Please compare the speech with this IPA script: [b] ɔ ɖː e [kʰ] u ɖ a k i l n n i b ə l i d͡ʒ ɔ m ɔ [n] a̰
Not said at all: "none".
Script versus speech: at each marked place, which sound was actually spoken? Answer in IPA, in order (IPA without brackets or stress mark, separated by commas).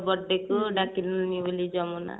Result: b, k, n